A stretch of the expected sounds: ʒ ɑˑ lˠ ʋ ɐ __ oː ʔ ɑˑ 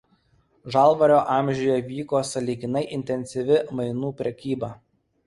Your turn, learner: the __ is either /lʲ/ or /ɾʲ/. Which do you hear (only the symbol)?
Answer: ɾʲ